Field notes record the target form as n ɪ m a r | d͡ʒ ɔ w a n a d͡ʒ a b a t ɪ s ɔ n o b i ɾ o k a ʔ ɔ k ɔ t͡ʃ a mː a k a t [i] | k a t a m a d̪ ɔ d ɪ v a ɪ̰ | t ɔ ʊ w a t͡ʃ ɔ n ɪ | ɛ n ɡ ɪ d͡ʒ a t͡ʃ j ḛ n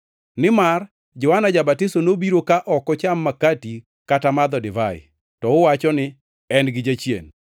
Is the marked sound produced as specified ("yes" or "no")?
yes